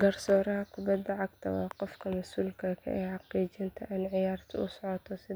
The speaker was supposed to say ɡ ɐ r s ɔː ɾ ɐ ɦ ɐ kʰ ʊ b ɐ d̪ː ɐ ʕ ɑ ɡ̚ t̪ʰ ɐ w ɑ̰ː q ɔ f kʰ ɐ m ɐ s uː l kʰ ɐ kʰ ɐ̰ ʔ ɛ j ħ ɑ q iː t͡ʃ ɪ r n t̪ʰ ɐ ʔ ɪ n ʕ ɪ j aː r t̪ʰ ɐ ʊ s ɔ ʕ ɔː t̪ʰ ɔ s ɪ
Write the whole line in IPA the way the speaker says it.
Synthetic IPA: ɡ ɐ r s ɔː ɾ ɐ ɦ ɐ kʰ ʊ b ɐ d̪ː ɐ ʕ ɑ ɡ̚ t̪ʰ ɐ w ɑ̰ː q ɔ f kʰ ɐ m ɐ s uː l kʰ ɐ kʰ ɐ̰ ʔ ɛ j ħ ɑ q iː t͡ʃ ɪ n t̪ʰ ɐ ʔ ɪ n ʕ ɪ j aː r t̪ʰ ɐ ʊ s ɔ ʕ ɔ t̪ʰ ɔ s ɪ